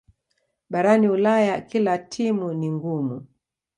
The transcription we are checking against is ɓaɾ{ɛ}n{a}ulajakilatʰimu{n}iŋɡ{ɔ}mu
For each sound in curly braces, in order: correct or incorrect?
incorrect: a, incorrect: i, correct, incorrect: u

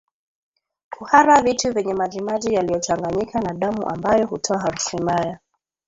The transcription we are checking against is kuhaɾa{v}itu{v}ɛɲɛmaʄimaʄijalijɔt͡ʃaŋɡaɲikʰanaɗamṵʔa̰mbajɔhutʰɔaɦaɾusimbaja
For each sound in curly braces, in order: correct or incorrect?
correct, correct

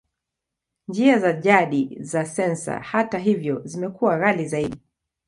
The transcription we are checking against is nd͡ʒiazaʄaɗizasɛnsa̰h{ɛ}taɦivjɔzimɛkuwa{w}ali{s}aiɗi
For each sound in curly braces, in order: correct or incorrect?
incorrect: a, incorrect: ɣ, incorrect: z

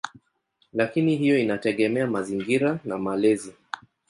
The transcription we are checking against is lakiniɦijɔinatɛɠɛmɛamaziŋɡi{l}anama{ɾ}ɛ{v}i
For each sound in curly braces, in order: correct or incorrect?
incorrect: ɾ, incorrect: l, incorrect: z

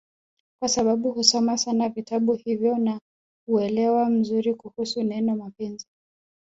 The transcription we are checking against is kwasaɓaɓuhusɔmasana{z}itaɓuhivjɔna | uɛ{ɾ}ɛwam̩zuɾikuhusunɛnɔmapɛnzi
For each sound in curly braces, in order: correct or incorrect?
incorrect: v, incorrect: l

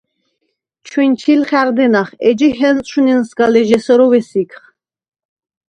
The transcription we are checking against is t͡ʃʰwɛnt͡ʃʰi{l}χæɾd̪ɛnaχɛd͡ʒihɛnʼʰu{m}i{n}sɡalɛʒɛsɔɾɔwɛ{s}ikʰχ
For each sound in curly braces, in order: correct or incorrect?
correct, incorrect: n, correct, correct

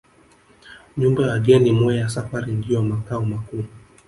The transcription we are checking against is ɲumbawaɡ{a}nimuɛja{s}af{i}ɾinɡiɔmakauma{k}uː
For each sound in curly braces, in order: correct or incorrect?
incorrect: ɛ, correct, incorrect: a, correct

